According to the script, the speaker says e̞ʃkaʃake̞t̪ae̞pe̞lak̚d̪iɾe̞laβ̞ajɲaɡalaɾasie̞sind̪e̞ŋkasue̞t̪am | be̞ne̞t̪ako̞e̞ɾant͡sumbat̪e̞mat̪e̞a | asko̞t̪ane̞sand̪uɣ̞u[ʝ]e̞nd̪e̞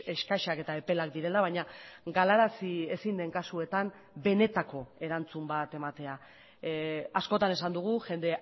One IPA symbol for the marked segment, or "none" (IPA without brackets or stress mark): ʝ